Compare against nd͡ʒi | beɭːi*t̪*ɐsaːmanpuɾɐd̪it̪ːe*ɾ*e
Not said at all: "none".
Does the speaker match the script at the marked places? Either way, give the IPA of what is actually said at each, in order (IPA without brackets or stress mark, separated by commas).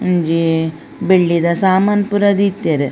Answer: d̪, ɾ